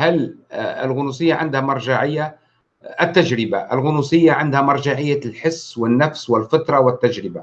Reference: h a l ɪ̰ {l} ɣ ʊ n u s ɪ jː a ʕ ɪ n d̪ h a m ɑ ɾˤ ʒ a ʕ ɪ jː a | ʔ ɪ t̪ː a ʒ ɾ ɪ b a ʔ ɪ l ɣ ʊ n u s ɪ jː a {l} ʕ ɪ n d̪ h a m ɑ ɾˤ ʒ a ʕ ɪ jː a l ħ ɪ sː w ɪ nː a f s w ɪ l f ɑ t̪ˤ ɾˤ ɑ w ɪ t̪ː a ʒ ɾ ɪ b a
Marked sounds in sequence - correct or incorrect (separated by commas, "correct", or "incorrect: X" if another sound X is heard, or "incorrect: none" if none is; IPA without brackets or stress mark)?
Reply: correct, incorrect: none